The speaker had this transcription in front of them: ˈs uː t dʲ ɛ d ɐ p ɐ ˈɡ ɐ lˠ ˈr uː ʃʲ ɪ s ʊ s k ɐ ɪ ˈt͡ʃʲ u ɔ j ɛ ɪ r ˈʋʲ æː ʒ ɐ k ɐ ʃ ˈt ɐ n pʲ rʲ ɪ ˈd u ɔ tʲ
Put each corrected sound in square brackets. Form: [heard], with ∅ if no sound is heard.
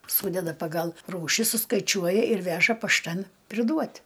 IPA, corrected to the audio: ˈs uː [∅] dʲ ɛ d ɐ p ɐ ˈɡ ɐ lˠ ˈr uː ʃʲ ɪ s ʊ s k ɐ ɪ ˈt͡ʃʲ u ɔ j ɛ ɪ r ˈʋʲ æː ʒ ɐ [p] ɐ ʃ ˈt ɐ n pʲ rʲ ɪ ˈd u ɔ tʲ